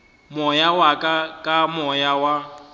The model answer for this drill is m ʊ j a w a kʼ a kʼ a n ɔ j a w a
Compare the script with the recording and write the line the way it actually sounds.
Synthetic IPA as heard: m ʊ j a w a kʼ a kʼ a m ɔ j a w a